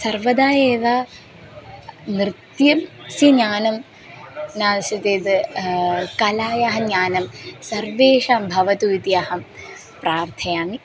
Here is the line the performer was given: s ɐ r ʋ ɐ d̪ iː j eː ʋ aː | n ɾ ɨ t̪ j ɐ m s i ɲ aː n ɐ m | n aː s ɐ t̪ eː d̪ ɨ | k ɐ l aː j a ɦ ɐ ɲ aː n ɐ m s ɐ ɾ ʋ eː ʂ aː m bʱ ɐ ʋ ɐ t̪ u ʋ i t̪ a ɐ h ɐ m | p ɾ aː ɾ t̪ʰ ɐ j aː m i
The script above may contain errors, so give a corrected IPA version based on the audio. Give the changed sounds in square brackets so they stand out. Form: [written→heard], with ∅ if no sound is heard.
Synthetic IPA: s ɐ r ʋ ɐ d̪ [iː→aː] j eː ʋ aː | n ɾ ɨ t̪ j ɐ m s i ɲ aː n ɐ m | n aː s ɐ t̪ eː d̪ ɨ | k ɐ l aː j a ɦ ɐ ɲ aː n ɐ m s ɐ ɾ ʋ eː ʂ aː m bʱ ɐ ʋ ɐ t̪ u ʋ i t̪ [a→i] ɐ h ɐ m | p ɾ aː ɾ t̪ʰ ɐ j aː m i